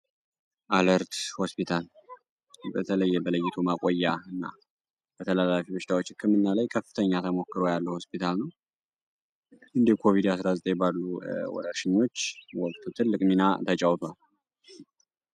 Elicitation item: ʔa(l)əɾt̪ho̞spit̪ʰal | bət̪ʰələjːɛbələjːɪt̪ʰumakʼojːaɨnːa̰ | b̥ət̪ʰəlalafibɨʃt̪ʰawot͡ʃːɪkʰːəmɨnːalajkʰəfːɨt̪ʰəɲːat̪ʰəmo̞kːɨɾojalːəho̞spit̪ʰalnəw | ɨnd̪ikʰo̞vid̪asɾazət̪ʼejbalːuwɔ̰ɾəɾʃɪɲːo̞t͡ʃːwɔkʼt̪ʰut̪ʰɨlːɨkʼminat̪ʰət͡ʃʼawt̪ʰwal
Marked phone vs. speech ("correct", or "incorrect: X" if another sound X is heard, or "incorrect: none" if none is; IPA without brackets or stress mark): correct